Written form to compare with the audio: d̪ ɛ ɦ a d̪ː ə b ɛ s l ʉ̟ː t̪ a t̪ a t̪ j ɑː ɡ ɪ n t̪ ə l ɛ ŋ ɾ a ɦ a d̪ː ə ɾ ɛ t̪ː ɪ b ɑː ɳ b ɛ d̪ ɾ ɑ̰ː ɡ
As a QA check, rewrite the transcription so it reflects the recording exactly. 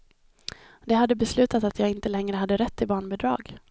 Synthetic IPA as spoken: d̪ ɛ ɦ a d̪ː ə b ɛ s l ʉ̟ː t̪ a t̪ a t̪ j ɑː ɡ ɪ n t̪ ə l ɛ ŋ ɾ ə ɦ a d̪ː ə ɾ ɛ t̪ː ɪ b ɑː ɳ b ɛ d̪ ɾ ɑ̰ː ɡ

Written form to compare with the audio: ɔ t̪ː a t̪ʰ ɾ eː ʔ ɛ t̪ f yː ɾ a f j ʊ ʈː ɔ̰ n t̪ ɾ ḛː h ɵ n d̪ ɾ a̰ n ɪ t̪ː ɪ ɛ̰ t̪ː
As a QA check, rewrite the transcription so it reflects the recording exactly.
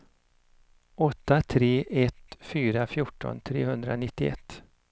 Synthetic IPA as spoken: ɔ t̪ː a t̪ʰ ɾ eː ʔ ɛ t̪ f yː ɾ a f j ʊ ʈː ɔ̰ n t̪ʰ ɾ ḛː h ɵ n d̪ ɾ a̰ n ɪ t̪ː ɪ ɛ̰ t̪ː

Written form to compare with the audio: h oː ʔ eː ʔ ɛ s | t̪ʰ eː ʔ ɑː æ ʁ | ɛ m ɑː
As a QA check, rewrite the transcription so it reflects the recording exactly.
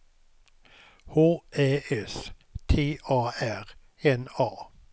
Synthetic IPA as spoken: h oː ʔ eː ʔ ɛ s | t̪ʰ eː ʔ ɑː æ ʁ | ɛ n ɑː

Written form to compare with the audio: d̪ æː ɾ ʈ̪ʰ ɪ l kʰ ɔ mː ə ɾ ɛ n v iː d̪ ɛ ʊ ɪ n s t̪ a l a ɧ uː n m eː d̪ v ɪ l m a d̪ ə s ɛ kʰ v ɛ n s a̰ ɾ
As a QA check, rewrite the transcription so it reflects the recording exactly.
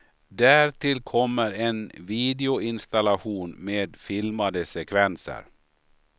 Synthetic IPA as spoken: d̪ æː ɾ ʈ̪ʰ ɪ l kʰ ɔ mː ə ɾ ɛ n v iː d̪ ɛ ʊ ɪ n s t̪ a l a ɧ uː n m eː d̪ f ɪ l m a d̪ ə s ɛ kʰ v ɛ n s ə̰ ɾ

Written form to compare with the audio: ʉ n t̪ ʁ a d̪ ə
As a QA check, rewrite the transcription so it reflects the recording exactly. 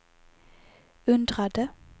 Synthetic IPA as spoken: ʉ n d̪ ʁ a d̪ ə

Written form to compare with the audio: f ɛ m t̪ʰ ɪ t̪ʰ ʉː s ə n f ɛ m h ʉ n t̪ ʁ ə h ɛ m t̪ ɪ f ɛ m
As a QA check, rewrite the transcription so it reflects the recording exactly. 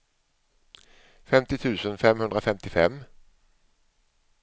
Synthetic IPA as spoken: f ɛ m t̪ ɪ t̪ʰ ʉː s ə n f ɛ m h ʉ n d̪ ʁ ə f ɛ m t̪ ɪ f ɛ m

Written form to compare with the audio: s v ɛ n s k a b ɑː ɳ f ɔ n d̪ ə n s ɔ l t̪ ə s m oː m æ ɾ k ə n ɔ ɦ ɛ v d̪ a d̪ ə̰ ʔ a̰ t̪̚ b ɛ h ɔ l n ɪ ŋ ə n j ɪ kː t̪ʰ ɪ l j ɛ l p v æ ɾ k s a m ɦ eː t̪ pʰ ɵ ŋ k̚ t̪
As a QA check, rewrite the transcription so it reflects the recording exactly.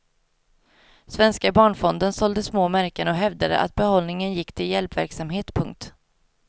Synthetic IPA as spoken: s v ɛ n s k a b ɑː ɳ f ɔ n d̪ ə n s ɔ l d̪ ə s m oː m æ ɾ k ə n ɔ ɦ ɛ v d̪ a d̪ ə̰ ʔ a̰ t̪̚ b ɛ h ɔ l n ɪ ŋ ə n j ɪ kː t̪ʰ ɪ l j ɛ l p v æ ɾ k s a m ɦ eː t̪ pʰ ɵ ŋ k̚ t̪

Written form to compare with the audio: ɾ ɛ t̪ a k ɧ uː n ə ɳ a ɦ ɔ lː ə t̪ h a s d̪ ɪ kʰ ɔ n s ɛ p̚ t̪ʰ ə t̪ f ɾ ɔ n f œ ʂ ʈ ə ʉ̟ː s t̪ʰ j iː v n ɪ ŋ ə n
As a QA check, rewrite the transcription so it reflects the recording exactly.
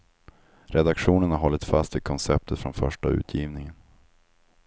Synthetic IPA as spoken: ɾ ɛ d̪ a k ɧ uː n ə ɳ a ɦ ɔ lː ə t̪ f a s t̪ ɪ kʰ ɔ n s ɛ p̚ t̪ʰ ə t̪ f ɾ ɔ n f œ ʂ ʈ a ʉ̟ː t̪ʰ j iː v n ɪ ŋ ə n

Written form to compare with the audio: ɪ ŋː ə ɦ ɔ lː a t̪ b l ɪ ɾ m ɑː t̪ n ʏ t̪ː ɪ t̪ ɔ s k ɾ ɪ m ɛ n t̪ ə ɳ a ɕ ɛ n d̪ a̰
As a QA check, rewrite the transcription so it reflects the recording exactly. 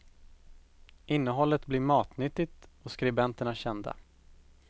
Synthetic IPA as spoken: ɪ nː ə ɦ ɔ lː ə t̪ b l ɪ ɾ m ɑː t̪ n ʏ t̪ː ɪ t̪ ɔ s k ɾ ɪ b ɛ n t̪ ə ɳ a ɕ ɛ n d̪ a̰

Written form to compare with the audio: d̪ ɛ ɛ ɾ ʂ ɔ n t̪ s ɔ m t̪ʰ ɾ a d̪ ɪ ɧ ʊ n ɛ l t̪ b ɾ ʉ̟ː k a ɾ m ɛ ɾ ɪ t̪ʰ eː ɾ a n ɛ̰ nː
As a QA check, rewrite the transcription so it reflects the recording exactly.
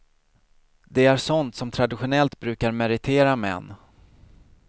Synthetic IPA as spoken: d̪ ɛ æ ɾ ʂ ɔ n t̪ s ɔ m t̪ʰ ɾ a d̪ ɪ ɧ ʊ n ɛ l t̪ b ɾ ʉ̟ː k a ɾ m ɛ ɾ ɪ t̪ʰ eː ɾ a m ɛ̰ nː

